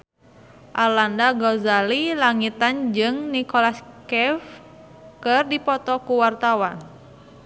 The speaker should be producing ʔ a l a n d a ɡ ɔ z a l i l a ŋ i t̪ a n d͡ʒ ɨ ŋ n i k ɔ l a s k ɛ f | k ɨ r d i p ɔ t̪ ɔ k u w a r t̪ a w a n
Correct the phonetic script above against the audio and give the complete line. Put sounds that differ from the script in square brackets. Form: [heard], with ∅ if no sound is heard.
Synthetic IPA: ʔ a l a n d a ɡ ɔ z a l i l a ŋ i t̪ a n d͡ʒ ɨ ŋ n i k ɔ l a s k ɛ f | k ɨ r d i p ɔ t̪ ɔ k u w a r t̪ a w a n